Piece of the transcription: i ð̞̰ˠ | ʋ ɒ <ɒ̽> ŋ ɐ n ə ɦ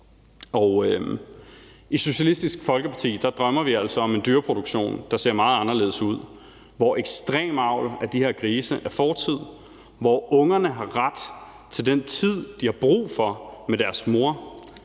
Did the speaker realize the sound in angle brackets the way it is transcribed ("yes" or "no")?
no